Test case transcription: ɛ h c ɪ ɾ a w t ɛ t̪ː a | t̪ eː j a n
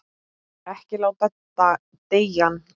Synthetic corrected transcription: ɛ h c ɪ l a w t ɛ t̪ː a | t̪ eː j a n